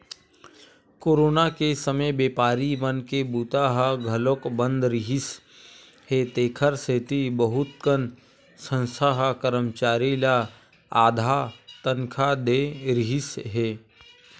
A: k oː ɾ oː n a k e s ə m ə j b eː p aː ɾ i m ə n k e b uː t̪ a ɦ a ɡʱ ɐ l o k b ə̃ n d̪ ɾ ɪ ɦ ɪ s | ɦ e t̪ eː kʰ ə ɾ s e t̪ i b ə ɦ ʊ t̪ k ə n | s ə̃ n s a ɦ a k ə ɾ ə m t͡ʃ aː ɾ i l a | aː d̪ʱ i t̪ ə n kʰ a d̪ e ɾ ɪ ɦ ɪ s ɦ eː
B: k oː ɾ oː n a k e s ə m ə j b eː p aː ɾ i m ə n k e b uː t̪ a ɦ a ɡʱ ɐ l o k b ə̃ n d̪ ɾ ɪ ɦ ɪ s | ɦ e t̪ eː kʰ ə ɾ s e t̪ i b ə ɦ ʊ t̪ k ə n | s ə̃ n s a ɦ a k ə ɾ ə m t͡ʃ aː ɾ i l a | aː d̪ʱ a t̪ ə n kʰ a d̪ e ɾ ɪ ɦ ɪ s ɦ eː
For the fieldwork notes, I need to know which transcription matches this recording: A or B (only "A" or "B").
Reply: B